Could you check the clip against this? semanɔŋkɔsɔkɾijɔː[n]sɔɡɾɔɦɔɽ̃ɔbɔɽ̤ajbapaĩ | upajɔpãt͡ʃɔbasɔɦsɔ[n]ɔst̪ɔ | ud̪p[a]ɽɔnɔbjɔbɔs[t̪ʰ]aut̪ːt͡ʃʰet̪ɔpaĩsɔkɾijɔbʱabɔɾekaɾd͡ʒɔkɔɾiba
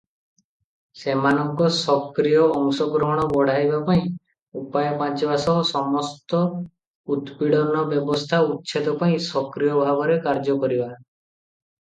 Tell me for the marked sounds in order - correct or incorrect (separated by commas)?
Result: incorrect, incorrect, incorrect, correct